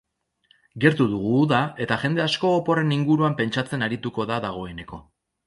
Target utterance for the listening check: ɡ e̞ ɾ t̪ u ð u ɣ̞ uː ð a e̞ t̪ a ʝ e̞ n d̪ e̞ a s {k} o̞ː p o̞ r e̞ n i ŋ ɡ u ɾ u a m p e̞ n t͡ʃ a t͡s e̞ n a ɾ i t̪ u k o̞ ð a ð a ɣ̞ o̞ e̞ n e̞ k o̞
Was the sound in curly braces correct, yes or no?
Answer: yes